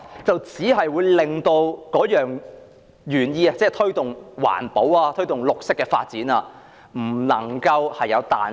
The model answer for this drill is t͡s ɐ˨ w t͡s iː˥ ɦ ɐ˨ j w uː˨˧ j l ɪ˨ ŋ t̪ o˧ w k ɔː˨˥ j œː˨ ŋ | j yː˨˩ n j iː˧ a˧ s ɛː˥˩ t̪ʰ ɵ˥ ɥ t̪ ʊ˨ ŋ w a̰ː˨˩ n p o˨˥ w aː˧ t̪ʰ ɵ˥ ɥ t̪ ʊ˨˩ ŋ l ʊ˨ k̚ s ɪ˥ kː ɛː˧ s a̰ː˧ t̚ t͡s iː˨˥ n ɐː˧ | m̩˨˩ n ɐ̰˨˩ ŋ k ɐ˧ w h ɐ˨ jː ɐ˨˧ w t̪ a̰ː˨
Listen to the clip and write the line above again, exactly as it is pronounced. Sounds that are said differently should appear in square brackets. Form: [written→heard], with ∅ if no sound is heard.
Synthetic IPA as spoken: t͡s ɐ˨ w t͡s [iː˥→iː˨˥] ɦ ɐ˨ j w uː˨˧ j l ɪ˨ ŋ t̪ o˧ w k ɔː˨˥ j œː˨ ŋ | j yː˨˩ n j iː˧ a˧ [s→t͡s] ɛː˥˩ t̪ʰ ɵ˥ ɥ t̪ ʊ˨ ŋ w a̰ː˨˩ n p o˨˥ w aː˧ t̪ʰ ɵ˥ ɥ t̪ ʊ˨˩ ŋ l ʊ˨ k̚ s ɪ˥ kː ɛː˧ [s→f] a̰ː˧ t̚ t͡s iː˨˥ n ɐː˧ | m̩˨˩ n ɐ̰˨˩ ŋ k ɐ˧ w h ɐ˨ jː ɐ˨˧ w t̪ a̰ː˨